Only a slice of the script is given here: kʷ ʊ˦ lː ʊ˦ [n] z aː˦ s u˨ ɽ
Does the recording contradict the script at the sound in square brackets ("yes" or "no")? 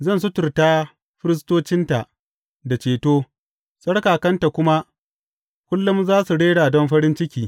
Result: yes